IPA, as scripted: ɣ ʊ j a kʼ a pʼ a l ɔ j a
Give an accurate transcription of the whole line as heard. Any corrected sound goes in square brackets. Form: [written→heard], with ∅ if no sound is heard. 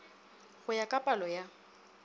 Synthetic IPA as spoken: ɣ ʊ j a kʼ a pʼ a l ɔ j a